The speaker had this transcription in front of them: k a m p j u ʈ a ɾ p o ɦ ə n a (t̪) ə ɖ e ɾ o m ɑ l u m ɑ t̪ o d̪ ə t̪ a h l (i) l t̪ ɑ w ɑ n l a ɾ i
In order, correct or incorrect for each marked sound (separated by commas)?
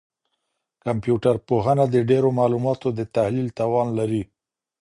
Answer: incorrect, correct